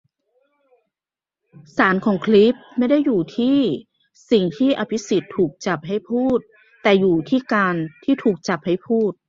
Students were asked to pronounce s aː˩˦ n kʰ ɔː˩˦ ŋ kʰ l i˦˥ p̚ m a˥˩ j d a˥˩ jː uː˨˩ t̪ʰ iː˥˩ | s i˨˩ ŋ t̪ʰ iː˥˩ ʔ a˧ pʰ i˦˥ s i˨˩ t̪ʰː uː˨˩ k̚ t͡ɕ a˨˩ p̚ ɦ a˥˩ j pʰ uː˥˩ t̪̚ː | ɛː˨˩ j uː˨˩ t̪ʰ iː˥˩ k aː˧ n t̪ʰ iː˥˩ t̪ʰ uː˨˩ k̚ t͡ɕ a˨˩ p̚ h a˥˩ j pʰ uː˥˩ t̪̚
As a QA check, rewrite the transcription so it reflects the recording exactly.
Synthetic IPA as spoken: s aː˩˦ n kʰ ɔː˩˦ ŋ kʰ l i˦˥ p̚ m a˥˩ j d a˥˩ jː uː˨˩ t̪ʰ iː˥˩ | s i˨˩ ŋ t̪ʰ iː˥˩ ʔ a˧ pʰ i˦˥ s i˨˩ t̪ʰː uː˨˩ k̚ t͡ɕ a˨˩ p̚ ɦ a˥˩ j pʰ uː˥˩ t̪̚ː | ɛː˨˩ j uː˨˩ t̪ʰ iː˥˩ k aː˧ n t̪ʰ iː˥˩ t̪ʰ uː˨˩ k̚ t͡ɕ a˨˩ p̚ h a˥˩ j pʰ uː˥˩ t̪̚